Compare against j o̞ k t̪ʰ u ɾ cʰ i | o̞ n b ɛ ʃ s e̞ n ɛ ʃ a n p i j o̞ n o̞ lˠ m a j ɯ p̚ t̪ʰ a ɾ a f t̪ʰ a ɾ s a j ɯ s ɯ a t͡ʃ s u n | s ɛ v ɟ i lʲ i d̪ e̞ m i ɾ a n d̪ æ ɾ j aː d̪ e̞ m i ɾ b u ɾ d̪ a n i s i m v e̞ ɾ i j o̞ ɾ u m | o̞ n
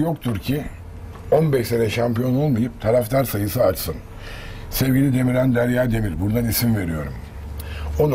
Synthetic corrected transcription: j o̞ k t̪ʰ u ɾ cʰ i | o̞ n b ɛ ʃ s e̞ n ɛ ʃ a m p i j o̞ n o̞ lˠ m a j ɯ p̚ t̪ʰ a ɾ a f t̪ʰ a ɾ s a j ɯ s ɯ a t͡ʃ s ɯ n | s ɛ v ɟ i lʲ i d̪ e̞ m i ɾ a n d̪ æ ɾ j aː d̪ e̞ m i ɾ b u ɾ d̪ a n i s i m v e̞ ɾ i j o̞ ɾ u m | o̞ n